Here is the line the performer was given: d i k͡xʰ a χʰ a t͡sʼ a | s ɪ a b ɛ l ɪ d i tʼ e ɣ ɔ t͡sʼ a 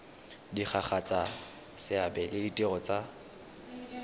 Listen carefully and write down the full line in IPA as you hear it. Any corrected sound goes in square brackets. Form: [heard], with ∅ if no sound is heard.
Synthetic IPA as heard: d i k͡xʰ a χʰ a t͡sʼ a | s ɪ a b ɛ l ɪ d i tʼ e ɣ ɔ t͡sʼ a